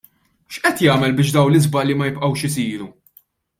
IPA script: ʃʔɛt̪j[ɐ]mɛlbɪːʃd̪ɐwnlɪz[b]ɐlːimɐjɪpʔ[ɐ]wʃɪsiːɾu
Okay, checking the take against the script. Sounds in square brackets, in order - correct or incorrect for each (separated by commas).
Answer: incorrect, correct, correct